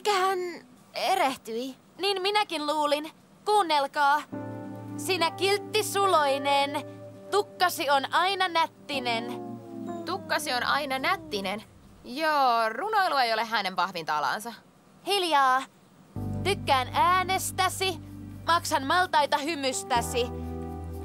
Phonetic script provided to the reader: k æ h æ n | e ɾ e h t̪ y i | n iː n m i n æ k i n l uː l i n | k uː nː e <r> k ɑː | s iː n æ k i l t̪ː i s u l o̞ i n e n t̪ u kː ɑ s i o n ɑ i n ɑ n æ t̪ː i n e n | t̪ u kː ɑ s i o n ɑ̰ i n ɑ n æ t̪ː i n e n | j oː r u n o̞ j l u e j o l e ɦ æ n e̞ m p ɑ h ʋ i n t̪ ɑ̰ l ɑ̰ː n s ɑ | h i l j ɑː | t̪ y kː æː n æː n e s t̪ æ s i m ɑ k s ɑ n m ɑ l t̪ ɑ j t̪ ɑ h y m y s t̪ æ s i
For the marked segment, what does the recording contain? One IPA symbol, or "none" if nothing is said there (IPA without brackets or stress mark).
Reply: l